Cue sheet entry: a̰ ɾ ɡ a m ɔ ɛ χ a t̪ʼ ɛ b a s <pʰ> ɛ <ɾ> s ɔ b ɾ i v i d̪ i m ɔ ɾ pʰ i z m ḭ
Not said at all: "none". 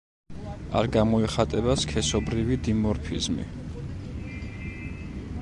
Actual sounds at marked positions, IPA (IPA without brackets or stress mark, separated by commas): kʰ, none